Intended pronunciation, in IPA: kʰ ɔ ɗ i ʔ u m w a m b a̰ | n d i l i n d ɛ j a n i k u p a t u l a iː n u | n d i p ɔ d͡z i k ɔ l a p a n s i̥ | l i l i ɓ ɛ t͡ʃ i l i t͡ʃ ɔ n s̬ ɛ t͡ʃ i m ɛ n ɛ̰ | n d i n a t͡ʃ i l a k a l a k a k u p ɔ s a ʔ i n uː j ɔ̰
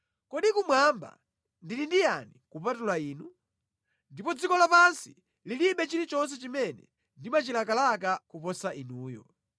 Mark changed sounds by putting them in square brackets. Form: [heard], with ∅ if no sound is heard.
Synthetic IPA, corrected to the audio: [k] ɔ ɗ i [k] u m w a m b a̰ | n d i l i n d [i] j a n i k u p a t u l a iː n u | n d i p ɔ d͡z i k ɔ l a p a n s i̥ | l i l i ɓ ɛ t͡ʃ i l i t͡ʃ ɔ n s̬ ɛ t͡ʃ i m ɛ n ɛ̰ | n d i [m] a t͡ʃ i l a k a l a k a k u p ɔ s a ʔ i n uː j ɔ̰